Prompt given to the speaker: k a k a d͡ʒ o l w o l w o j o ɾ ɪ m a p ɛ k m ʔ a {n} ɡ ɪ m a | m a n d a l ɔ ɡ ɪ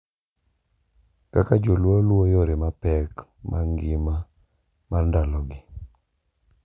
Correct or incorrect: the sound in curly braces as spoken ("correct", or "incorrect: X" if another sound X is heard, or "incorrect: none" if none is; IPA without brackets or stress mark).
incorrect: ŋ